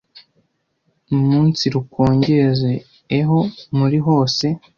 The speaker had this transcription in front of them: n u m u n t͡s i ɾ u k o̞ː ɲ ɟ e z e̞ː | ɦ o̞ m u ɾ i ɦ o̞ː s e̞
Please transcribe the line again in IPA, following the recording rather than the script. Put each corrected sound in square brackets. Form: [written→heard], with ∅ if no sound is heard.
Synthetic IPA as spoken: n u m [u→uː] n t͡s i ɾ u k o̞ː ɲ ɟ e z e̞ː | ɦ o̞ m u ɾ i ɦ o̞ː s e̞